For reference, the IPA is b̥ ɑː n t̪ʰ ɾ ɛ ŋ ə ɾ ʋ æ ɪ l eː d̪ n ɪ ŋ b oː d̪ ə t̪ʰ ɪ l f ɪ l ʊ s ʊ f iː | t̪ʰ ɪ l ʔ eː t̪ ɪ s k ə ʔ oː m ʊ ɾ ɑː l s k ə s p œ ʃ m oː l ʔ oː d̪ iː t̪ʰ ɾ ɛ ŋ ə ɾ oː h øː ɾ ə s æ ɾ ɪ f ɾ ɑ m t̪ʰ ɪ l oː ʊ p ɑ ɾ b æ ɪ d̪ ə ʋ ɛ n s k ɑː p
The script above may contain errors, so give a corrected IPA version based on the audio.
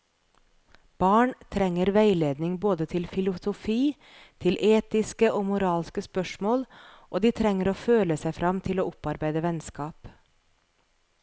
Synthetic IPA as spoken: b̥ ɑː ɳ t̪ʰ ɾ ɛ ŋ ə ɾ ʋ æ ɪ l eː d̪ n ɪ ŋ b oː d̪ ə t̪ʰ ɪ l f ɪ l ʊ s ʊ f iː | t̪ʰ ɪ l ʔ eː t̪ ɪ s k ə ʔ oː m ʊ ɾ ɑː l s k ə s p œ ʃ m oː l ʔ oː d̪ iː t̪ʰ ɾ ɛ ŋ ə ɾ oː f øː l ə s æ ɪ f ɾ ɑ m t̪ʰ ɪ l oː ʊ p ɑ ɾ b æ ɪ d̪ ə ʋ ɛ n s k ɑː p